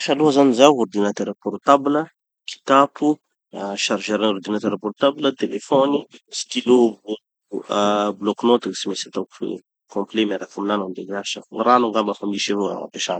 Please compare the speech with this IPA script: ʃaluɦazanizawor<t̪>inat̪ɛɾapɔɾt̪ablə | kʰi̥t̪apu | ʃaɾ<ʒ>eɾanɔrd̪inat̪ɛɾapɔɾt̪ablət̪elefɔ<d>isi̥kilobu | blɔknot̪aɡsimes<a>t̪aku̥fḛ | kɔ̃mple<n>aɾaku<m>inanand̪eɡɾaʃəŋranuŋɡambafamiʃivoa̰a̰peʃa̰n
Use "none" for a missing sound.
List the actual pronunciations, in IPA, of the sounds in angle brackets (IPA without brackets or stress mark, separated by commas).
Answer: d̪, ʒ, n, a, m, m